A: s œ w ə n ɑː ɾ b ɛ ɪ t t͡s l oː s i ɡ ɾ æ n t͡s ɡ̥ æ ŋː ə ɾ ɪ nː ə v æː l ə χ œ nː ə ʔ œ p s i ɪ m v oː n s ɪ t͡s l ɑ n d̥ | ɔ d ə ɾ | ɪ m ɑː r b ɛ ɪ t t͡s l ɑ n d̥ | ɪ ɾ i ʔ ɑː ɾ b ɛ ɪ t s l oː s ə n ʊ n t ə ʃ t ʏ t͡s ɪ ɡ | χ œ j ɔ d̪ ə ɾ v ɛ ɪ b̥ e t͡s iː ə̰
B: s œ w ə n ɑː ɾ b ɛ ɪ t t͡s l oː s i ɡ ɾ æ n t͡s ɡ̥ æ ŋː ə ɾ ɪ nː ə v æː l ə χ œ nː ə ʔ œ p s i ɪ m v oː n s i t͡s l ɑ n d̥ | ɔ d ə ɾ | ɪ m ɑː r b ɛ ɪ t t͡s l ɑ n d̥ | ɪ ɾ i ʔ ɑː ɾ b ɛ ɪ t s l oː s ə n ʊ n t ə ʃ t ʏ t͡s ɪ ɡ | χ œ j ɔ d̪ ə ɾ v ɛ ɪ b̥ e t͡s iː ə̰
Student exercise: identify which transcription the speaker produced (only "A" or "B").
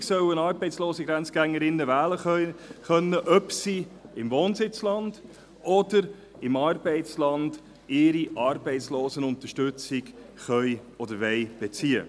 A